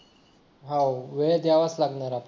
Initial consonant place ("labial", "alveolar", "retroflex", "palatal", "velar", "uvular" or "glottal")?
glottal